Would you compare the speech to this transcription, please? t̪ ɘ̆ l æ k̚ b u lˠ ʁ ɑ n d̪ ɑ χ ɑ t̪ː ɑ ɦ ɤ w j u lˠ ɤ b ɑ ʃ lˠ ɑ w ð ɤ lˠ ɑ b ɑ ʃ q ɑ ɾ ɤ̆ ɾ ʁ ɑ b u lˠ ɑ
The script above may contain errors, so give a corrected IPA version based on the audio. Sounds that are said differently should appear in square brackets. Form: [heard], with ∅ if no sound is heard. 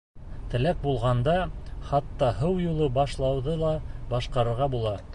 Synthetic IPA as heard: t̪ ɘ̆ l æ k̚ b u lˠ ʁ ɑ n d̪ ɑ χ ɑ t̪ː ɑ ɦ ɤ w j u lˠ ɤ b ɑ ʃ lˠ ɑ w ð ɤ lˠ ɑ b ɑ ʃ q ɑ ɾ ɤ̆ ɾ ʁ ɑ b u lˠ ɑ